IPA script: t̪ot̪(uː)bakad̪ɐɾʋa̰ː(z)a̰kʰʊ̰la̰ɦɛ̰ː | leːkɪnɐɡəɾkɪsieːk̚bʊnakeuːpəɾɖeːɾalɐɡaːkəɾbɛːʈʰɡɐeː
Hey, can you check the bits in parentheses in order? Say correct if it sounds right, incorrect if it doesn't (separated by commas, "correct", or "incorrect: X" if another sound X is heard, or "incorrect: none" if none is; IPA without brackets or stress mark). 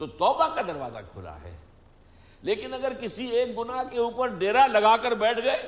incorrect: ɔː, correct